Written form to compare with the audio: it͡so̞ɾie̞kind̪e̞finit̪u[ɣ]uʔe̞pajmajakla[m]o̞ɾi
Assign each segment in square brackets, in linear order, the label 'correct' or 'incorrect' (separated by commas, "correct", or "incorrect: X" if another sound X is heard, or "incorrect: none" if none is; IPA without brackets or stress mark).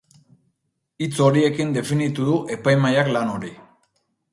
incorrect: ð, incorrect: n